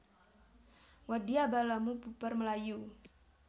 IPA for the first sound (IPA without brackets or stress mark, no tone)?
w